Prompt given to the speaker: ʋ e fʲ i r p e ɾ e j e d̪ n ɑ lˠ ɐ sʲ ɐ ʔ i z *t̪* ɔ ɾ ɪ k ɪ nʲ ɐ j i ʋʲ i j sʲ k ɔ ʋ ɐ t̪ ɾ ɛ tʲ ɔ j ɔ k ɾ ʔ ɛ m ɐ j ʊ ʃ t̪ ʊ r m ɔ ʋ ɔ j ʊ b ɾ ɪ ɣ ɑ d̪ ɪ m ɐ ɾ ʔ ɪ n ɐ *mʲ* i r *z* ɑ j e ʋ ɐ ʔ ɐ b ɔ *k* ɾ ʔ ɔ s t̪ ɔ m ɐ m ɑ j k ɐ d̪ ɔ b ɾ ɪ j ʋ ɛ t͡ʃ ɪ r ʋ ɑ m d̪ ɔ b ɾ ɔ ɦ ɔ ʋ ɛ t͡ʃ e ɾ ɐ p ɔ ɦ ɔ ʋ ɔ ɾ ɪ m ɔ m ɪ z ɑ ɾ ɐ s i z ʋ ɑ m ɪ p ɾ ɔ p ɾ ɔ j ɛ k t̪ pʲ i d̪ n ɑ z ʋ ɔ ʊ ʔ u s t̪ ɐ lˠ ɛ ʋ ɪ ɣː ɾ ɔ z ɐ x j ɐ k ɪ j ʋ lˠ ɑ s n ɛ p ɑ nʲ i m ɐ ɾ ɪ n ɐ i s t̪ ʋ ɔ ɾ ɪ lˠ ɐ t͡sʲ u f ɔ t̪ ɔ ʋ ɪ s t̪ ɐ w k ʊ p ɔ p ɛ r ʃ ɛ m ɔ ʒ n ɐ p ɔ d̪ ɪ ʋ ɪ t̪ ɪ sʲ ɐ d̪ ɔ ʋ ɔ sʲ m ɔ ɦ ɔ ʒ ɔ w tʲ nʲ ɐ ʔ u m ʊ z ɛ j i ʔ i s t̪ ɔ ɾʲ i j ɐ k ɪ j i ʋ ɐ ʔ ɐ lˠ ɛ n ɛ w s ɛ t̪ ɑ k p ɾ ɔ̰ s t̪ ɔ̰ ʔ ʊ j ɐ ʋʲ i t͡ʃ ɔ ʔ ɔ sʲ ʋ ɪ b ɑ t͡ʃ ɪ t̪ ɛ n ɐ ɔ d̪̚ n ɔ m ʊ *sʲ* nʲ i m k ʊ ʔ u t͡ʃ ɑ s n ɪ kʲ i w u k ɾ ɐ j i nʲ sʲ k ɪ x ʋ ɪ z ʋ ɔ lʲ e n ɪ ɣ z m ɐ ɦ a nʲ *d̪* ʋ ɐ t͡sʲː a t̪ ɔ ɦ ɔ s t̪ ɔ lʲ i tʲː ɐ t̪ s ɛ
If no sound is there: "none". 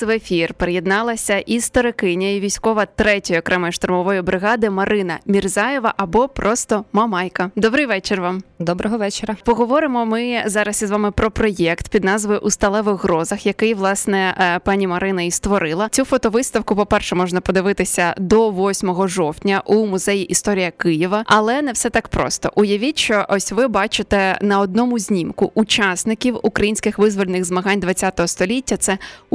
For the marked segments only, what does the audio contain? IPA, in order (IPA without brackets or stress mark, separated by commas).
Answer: t̪, mʲ, z, p, zʲ, d̪